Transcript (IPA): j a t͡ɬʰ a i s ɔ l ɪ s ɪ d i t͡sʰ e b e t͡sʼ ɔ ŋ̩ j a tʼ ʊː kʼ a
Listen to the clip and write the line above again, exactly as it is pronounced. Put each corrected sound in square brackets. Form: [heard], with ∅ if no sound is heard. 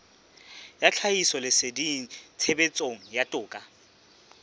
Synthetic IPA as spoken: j a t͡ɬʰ a i s ɔ l ɪ s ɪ d i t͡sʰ e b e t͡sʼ [o] ŋ̩ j a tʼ ʊː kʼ a